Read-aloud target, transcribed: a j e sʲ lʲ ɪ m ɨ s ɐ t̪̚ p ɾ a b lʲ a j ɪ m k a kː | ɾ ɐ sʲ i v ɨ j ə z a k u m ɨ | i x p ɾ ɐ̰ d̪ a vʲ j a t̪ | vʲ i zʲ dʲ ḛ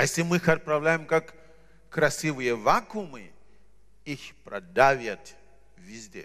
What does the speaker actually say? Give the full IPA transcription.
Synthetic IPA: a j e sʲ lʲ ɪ m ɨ x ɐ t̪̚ p ɾ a v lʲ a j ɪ m k a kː | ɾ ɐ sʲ i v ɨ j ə v a k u m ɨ | i x p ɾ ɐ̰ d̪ a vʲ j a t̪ | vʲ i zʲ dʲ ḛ

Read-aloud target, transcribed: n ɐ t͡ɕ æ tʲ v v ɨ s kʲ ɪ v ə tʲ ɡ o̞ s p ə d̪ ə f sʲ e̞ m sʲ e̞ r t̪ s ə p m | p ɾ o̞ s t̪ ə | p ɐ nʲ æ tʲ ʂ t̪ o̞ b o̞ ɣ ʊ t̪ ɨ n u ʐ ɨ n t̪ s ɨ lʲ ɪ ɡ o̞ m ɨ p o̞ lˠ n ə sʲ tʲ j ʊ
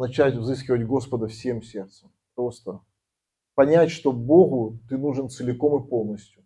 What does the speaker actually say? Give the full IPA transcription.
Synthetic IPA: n ɐ t͡ɕ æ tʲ v z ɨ s kʲ ɪ v ə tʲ ɡ o̞ s p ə d̪ ə f sʲ e̞ m sʲ e̞ r t̪ s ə m | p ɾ o̞ s t̪ ə | p ɐ nʲ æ tʲ ʂ t̪ o̞ b o̞ ɣ ʊ t̪ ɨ n u ʐ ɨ n t̪ s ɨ lʲ ɪ k o̞ m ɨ p o̞ lˠ n ə sʲ tʲ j ʊ

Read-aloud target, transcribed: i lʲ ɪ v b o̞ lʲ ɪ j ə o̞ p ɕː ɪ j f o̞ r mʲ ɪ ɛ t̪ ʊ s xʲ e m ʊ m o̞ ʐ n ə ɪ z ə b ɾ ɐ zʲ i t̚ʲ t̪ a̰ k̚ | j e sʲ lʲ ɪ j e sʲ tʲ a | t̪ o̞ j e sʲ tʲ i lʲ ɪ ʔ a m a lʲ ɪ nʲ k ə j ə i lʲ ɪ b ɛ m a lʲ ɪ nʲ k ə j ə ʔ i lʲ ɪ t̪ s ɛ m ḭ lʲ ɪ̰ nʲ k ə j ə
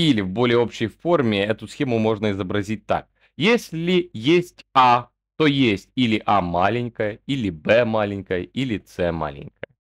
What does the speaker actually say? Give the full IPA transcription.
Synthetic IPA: i lʲ ɪ v b o̞ lʲ ɪ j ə o̞ p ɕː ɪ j f o̞ r mʲ ɪ ɛ t̪ ʊ s xʲ e m ʊ m o̞ ʐ n ə ɪ z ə b ɾ ɐ zʲ i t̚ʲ t̪ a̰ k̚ | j e sʲ lʲ ɪ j e sʲ tʲ a | t̪ o̞ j e sʲ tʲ i lʲ ɪ ʔ a m a lʲ ɪ nʲ k ə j ə i lʲ ɪ b ɛ m a lʲ ɪ nʲ k ə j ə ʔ i lʲ ɪ t̪ s ɛ m a̰ lʲ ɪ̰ nʲ k ə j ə

